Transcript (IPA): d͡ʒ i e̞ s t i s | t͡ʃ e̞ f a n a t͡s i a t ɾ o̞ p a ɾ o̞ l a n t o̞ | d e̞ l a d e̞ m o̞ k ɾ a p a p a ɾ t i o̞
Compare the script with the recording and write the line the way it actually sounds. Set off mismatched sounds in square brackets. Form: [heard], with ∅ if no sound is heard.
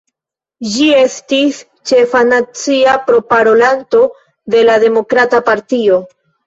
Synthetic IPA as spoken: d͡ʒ i e̞ s t i s | t͡ʃ e̞ f a n a t͡s i a [p] ɾ o̞ p a ɾ o̞ l a n t o̞ | d e̞ l a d e̞ m o̞ k ɾ a [t] a p a ɾ t i o̞

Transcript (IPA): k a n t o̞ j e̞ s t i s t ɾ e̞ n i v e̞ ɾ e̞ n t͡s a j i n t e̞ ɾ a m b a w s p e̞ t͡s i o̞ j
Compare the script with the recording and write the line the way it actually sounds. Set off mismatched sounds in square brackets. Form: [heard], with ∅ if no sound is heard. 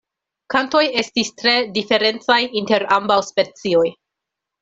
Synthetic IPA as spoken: k a n t o̞ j e̞ s t i s t ɾ e̞ [d] i [f] e̞ ɾ e̞ n t͡s a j i n t e̞ ɾ a m b a w s p e̞ t͡s i o̞ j

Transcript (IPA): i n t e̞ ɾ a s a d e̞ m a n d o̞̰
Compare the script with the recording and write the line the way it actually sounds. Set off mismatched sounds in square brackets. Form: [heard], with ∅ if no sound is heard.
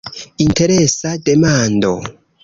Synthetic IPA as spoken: i n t e̞ ɾ [e] s a d e̞ m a n d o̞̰

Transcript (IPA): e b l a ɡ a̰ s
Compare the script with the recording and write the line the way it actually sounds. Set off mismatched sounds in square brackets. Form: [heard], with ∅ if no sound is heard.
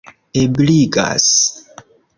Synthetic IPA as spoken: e b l [i] ɡ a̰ s

